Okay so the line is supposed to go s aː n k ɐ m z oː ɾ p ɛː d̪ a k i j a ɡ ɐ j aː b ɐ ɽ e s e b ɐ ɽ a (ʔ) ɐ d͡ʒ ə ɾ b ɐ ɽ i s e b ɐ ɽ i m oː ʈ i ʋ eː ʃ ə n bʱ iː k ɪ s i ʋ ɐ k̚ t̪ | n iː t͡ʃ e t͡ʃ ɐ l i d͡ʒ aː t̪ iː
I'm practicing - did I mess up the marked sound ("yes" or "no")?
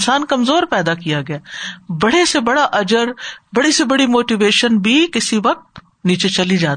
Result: no